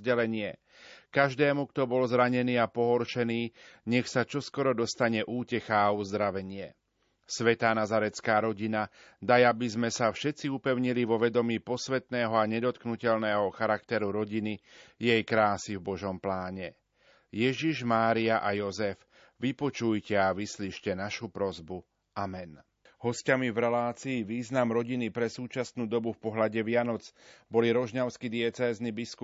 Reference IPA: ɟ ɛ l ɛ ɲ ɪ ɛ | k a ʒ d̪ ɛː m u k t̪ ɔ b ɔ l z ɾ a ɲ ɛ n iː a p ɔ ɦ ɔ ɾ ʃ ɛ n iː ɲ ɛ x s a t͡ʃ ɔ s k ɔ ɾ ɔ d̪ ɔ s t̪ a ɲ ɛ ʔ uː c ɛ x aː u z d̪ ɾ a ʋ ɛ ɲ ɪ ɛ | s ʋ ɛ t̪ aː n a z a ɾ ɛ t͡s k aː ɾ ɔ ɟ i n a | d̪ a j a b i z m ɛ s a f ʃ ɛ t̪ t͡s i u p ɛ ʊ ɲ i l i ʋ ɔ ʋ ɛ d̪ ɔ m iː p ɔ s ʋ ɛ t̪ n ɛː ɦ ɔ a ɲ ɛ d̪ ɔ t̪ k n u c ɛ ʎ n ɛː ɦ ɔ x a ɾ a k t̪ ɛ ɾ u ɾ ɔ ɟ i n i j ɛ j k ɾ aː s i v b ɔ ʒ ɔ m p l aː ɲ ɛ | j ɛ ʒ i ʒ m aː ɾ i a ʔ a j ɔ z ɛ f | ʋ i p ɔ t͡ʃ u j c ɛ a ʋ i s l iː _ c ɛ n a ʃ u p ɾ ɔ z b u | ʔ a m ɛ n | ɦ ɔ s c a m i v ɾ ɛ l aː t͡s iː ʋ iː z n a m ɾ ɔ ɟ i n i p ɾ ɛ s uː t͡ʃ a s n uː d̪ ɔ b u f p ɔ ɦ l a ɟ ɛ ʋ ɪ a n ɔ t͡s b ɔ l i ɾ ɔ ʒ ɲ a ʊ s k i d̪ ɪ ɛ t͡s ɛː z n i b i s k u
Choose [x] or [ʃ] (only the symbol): ʃ